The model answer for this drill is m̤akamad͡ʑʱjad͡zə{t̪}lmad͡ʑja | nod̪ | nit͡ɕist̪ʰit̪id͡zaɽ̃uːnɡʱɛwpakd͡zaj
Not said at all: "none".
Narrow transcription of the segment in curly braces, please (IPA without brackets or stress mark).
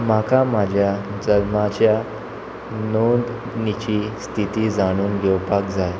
none